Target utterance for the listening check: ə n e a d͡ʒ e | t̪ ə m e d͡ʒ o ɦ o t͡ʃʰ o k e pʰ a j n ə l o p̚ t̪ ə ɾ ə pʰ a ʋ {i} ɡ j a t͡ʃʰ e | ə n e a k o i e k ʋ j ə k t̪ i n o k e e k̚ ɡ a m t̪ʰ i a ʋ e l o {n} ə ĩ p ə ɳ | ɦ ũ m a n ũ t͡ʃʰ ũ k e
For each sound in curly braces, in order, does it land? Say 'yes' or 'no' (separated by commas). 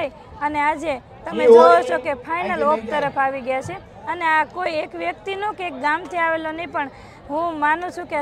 yes, yes